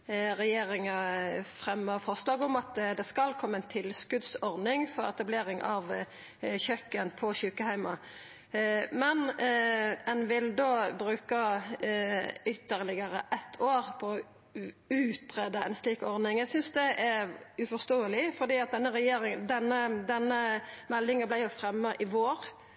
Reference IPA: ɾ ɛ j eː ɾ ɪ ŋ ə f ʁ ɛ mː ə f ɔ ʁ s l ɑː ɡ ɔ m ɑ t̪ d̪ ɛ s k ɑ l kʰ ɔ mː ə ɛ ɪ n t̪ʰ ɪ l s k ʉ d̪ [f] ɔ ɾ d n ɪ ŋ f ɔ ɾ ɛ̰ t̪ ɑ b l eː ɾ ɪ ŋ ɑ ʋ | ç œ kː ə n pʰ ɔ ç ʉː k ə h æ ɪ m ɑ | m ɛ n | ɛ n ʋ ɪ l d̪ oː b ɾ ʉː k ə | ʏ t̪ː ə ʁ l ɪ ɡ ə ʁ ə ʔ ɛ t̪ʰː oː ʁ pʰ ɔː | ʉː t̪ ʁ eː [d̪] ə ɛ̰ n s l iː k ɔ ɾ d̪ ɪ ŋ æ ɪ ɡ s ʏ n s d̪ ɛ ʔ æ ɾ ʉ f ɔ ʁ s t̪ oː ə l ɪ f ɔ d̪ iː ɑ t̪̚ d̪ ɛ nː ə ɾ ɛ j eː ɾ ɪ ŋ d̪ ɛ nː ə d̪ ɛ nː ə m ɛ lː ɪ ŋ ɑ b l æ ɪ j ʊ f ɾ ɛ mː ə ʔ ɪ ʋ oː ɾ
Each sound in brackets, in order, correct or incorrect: incorrect: s, correct

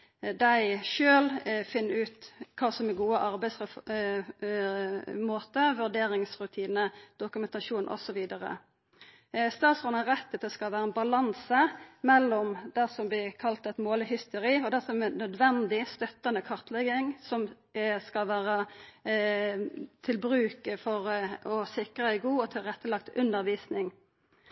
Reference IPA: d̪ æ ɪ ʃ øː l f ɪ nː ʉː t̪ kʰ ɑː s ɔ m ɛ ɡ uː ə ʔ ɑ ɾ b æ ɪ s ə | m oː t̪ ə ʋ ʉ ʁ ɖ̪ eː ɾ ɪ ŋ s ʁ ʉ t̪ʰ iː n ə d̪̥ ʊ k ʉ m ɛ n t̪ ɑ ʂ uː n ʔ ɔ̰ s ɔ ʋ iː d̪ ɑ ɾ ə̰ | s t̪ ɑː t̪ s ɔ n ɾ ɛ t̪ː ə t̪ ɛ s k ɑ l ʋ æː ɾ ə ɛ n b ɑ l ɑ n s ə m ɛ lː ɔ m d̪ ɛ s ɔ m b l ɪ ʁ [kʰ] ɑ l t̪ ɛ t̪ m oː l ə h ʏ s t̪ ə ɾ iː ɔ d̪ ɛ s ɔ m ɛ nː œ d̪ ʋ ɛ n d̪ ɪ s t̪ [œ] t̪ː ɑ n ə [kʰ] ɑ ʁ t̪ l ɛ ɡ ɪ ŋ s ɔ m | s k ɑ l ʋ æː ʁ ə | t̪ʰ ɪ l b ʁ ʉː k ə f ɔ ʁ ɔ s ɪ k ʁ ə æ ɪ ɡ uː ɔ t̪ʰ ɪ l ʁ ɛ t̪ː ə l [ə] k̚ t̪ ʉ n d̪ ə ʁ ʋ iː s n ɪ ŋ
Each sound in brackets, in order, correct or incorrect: correct, correct, correct, incorrect: ɑ

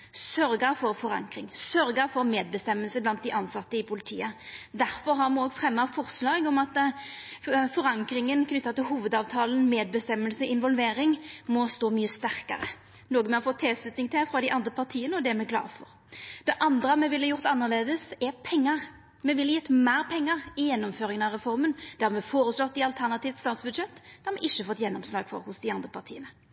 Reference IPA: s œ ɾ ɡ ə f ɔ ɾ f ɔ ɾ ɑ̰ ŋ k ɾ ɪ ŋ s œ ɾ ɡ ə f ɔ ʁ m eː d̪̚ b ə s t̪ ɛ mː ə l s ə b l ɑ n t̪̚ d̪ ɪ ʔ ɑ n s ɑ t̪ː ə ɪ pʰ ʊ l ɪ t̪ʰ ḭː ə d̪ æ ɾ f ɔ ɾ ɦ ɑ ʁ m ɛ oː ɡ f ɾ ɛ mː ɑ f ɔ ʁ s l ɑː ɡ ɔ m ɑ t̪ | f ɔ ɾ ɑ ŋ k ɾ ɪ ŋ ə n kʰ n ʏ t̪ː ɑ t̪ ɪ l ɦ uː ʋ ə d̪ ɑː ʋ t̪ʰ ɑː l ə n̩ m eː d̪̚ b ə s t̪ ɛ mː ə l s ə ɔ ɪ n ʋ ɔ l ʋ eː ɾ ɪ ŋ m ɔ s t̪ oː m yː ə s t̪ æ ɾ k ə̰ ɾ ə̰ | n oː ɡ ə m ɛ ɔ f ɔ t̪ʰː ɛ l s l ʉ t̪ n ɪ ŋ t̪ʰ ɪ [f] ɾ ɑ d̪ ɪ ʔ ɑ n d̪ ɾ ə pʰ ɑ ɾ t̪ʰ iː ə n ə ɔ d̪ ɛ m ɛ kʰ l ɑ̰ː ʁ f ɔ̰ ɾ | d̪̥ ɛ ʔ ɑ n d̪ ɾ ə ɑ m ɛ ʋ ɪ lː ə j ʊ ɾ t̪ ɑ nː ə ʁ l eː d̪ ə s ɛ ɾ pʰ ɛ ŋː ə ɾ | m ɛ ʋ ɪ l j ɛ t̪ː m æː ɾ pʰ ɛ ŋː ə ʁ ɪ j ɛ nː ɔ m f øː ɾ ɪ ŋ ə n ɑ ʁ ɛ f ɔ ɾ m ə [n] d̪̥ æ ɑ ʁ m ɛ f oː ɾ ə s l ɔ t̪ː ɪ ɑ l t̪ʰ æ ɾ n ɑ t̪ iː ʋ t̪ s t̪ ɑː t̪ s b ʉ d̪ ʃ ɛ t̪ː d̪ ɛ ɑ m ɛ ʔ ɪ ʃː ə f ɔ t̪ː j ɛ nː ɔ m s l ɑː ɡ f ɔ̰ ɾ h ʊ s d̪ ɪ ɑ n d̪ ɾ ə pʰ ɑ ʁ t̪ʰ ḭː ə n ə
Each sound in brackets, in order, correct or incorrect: correct, correct

